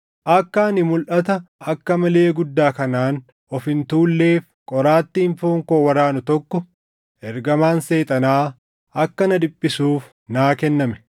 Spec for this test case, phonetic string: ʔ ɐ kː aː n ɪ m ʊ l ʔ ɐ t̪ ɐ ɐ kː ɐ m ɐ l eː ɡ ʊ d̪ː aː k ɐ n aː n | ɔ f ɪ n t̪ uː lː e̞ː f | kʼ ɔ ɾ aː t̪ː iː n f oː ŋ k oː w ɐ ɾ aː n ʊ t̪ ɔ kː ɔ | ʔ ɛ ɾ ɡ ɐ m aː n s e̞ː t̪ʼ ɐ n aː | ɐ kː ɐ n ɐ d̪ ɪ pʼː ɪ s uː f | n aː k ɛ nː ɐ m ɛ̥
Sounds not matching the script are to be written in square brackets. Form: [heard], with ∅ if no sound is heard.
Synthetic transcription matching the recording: ʔ ɐ kː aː n ɪ m ʊ l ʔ ɐ t̪ ɐ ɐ kː ɐ m ɐ l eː ɡ ʊ d̪ː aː k ɐ n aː n | ɔ f ɪ n t̪ uː lː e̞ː f | kʼ ɔ ɾ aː t̪ː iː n f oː ŋ k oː w ɐ ɾ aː n ʊ t̪ ɔ kː ɔ | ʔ ɛ ɾ ɡ ɐ m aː n s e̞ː t̪ʼ ɐ n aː | ɐ kː ɐ n ɐ d̪ ɪ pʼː ɪ s uː f | n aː k ɛ nː ɐ m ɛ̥